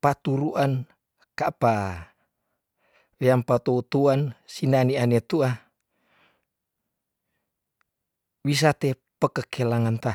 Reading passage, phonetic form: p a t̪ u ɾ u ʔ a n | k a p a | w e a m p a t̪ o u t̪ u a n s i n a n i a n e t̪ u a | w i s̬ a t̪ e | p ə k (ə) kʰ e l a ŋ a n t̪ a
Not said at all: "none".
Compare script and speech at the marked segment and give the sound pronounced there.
ə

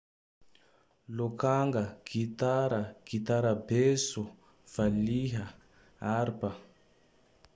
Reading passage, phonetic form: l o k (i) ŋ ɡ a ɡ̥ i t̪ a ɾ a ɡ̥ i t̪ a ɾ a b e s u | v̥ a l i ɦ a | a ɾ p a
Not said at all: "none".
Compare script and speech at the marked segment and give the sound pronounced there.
a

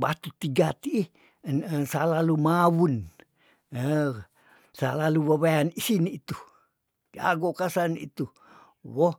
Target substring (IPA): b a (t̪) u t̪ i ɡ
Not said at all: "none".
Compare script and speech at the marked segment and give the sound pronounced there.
t̪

